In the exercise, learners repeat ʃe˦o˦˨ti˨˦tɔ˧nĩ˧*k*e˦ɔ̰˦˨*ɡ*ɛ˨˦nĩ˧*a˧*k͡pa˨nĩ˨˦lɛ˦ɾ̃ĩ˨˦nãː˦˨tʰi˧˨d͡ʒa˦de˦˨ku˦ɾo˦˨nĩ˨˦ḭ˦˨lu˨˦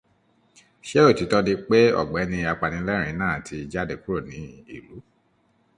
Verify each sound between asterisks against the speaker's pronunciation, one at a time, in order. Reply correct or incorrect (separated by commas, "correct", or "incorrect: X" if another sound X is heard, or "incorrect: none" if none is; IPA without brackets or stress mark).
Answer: incorrect: k͡p, incorrect: ɡ͡b, correct